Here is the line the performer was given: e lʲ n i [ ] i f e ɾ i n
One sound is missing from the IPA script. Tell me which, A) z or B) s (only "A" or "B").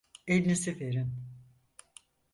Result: B